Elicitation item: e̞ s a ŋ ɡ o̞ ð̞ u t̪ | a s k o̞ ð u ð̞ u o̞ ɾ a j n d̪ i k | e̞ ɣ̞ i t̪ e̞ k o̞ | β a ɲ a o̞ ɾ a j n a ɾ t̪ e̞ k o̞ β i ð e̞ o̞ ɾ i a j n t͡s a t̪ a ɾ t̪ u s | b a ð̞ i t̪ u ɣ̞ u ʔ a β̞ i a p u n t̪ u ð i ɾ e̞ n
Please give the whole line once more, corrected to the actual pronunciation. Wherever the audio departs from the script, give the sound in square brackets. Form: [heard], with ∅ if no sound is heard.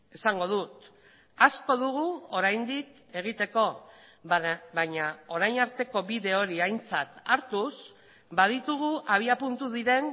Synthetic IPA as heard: e̞ s a ŋ ɡ o̞ ð̞ u t̪ | a s k o̞ ð u [ɣ̞] u o̞ ɾ a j n d̪ i k | e̞ ɣ̞ i t̪ e̞ k o̞ | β a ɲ a o̞ ɾ a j n a ɾ t̪ e̞ k o̞ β i ð e̞ o̞ ɾ i a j n t͡s a t̪ a ɾ t̪ u s | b a ð̞ i t̪ u ɣ̞ u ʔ a β̞ i a p u n t̪ u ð i ɾ e̞ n